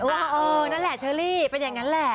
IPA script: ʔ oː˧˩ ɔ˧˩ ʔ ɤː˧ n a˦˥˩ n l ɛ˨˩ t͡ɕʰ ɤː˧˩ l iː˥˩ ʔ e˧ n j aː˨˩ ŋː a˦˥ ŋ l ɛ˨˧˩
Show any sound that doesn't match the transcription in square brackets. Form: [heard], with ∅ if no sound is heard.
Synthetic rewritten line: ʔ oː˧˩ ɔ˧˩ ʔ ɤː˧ n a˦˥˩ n l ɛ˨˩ t͡ɕʰ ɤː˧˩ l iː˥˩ [p] e˧ n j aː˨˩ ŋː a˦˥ [n] l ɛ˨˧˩

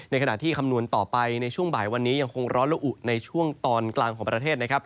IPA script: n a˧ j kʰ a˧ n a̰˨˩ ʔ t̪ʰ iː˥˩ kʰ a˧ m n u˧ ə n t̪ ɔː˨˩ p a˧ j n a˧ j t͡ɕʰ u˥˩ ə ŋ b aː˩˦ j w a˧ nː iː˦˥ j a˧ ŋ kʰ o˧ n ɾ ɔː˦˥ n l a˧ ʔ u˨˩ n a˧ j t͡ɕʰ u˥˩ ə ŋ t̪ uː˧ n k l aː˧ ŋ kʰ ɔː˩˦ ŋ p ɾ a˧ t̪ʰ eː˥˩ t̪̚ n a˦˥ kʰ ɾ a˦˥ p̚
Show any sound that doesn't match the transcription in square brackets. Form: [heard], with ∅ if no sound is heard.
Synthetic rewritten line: n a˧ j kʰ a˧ n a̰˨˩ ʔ t̪ʰ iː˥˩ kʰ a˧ m n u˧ ə n t̪ ɔː˨˩ p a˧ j n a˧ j t͡ɕʰ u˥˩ ə ŋ b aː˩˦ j w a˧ nː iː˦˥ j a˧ ŋ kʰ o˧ [ŋ] ɾ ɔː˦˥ n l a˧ ʔ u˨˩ n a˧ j t͡ɕʰ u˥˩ ə ŋ t̪ [ɔː˧] n k l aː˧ ŋ kʰ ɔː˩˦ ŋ p ɾ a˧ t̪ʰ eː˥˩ t̪̚ n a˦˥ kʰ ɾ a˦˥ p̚

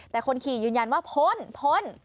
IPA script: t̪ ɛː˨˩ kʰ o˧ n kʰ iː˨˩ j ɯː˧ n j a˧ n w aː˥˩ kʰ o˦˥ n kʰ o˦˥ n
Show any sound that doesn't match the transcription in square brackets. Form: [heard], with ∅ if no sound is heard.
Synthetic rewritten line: t̪ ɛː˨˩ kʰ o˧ n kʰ iː˨˩ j ɯː˧ n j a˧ n w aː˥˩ [pʰ] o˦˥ n [pʰ] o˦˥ n

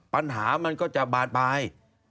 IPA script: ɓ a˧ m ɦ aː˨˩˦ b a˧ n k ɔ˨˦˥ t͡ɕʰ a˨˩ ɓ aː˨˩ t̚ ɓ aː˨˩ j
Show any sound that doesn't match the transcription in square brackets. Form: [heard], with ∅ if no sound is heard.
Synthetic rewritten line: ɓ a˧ [n] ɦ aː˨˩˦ [m] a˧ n k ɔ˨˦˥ [t͡ɕ] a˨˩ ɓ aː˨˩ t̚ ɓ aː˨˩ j

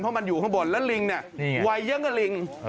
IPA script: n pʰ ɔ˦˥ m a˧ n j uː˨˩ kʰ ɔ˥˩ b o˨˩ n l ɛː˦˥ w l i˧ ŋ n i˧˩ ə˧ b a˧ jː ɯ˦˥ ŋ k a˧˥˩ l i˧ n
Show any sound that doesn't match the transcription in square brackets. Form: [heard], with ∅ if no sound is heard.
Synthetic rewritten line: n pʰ ɔ˦˥ m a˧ n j uː˨˩ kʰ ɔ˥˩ b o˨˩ n l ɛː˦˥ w l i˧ ŋ n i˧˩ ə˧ [w] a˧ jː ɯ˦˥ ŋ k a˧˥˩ l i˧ [ŋ]

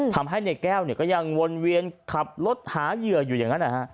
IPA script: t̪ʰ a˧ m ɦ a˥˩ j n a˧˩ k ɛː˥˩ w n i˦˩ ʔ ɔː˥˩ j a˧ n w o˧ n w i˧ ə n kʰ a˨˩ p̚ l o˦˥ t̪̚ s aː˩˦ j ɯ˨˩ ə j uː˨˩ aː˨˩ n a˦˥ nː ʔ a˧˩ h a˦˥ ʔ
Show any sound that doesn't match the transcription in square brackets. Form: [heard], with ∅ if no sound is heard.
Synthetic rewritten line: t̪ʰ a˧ m ɦ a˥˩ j n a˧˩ k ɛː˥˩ w n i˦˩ [k] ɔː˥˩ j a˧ [ŋ] w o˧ n w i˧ ə n kʰ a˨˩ p̚ l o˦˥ t̪̚ [h] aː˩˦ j ɯ˨˩ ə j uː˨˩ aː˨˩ [ŋ] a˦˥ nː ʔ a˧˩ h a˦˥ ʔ

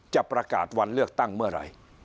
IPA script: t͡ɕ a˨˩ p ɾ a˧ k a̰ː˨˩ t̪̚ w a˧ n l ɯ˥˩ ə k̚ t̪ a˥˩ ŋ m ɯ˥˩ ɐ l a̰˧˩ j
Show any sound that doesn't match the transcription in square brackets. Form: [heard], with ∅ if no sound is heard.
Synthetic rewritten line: t͡ɕ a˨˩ p ɾ a˧ k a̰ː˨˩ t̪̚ w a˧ n l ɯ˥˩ ə k̚ t̪ a˥˩ ŋ m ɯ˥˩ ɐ [ɾ] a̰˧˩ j

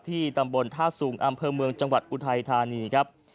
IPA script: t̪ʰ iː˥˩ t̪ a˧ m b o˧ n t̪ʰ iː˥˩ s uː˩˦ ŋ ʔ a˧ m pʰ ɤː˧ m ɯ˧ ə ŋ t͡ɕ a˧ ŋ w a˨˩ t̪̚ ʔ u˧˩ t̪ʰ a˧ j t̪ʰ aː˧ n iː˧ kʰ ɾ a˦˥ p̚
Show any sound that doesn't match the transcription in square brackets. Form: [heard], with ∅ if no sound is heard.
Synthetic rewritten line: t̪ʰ iː˥˩ t̪ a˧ m b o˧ n t̪ʰ [aː˥˩] s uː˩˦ ŋ ʔ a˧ m pʰ ɤː˧ m ɯ˧ ə ŋ t͡ɕ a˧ ŋ w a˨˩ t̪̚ ʔ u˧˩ t̪ʰ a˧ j t̪ʰ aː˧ n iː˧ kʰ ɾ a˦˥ p̚

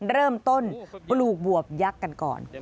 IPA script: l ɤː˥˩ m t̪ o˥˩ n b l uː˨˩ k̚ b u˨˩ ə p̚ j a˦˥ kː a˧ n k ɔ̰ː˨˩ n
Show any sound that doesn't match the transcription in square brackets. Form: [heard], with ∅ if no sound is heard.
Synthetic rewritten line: [ɾ] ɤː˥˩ m t̪ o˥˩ n [p] l uː˨˩ k̚ b u˨˩ ə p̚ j a˦˥ kː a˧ n k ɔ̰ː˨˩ n

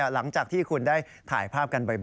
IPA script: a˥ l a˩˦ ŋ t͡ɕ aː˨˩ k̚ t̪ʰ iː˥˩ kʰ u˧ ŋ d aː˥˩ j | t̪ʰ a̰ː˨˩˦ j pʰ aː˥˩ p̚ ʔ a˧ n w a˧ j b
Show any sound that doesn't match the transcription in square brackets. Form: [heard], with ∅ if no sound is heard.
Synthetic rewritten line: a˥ l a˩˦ ŋ t͡ɕ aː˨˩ k̚ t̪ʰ iː˥˩ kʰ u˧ [n] d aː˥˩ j | t̪ʰ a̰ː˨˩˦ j pʰ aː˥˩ p̚ [k] a˧ n [b] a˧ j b

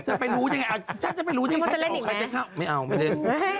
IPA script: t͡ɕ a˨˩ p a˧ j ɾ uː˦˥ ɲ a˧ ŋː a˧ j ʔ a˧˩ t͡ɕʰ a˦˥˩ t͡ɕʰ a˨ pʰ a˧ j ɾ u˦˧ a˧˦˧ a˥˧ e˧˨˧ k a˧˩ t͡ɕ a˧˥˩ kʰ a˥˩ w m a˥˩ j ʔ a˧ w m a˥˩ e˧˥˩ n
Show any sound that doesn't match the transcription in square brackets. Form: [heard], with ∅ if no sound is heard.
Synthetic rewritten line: t͡ɕ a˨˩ p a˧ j ɾ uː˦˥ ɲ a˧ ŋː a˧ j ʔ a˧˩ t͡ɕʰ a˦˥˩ [t͡ɕ] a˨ [p] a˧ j ɾ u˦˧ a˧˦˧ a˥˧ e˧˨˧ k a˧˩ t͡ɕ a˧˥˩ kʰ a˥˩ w m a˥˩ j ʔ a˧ w m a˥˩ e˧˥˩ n

